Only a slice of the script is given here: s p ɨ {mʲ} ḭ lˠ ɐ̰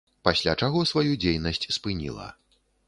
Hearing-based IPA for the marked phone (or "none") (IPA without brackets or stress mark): nʲ